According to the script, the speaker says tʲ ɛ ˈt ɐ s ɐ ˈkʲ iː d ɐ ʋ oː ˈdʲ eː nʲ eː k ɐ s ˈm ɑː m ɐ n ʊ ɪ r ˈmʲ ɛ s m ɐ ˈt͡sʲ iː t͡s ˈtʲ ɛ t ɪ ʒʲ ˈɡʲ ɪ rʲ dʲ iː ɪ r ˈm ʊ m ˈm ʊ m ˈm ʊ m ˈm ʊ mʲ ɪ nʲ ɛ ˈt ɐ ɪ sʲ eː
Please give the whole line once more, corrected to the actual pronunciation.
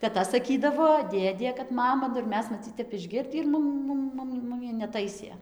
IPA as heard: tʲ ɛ ˈt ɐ s ɐ ˈkʲ iː d ɐ ʋ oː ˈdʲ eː dʲ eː k ɐ t ˈm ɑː m ɐ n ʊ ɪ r ˈmʲ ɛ s m ɐ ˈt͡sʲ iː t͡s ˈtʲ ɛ p ɪ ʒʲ ˈɡʲ ɪ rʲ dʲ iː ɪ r ˈm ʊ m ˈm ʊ m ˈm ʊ m ˈm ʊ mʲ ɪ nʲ ɛ ˈt ɐ ɪ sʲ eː